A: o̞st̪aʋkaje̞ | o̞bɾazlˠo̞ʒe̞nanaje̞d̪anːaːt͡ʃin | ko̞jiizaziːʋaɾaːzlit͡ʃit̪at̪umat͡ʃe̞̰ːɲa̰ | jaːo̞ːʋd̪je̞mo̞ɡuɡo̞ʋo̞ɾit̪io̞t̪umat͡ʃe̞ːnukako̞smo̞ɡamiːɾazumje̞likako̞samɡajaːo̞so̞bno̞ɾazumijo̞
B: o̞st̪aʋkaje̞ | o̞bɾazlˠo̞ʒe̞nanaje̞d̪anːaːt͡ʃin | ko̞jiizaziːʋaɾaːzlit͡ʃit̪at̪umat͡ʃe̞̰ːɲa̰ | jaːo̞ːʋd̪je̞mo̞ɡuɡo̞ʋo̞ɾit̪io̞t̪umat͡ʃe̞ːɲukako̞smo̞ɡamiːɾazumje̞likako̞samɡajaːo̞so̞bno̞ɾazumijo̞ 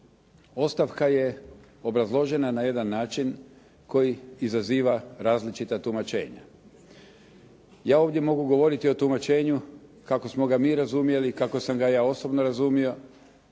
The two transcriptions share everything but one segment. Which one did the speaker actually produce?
B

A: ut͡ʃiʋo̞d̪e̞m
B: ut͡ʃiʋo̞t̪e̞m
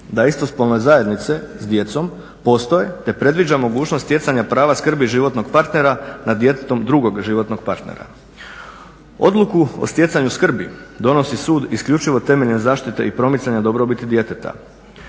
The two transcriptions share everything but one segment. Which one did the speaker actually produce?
B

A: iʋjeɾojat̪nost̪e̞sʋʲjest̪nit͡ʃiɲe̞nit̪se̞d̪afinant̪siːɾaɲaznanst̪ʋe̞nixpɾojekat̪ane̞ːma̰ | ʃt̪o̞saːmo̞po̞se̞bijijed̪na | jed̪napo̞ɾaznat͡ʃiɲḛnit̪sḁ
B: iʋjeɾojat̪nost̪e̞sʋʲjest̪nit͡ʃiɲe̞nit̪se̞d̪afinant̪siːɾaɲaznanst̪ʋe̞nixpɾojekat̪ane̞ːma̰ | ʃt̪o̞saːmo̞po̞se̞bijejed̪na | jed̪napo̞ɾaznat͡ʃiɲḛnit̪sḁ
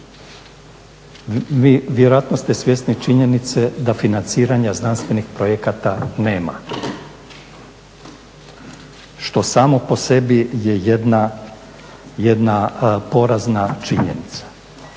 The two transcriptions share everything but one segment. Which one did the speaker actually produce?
B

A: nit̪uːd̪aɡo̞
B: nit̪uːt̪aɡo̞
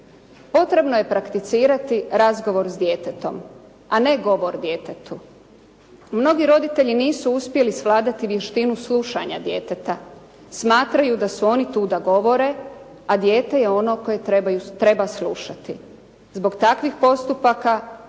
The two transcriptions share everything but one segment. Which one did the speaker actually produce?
A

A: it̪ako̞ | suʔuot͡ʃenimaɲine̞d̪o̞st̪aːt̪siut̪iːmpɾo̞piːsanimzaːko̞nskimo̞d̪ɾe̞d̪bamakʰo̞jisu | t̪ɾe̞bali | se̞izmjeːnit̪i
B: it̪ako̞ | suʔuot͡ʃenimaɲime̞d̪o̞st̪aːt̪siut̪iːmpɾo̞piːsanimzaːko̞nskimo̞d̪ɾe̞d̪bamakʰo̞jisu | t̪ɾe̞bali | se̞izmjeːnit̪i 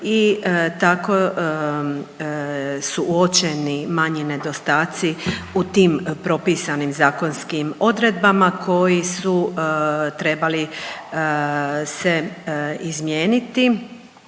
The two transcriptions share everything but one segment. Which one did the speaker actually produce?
A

